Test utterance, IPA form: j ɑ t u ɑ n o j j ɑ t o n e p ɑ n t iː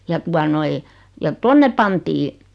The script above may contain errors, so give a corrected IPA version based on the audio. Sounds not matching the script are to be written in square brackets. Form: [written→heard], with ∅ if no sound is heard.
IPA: j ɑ t u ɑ n o [j→i] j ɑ t o [n→nː] e p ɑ n t iː